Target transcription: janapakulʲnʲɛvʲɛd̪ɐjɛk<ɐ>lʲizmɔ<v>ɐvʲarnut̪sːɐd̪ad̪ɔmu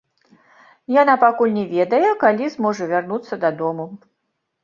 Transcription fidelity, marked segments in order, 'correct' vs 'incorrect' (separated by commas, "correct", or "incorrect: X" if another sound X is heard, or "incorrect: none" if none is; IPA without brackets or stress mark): incorrect: a, incorrect: ʐ